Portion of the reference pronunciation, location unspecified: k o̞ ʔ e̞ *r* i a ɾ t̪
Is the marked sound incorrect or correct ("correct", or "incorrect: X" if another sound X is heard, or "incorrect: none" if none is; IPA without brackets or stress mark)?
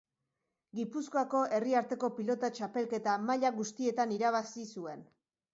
correct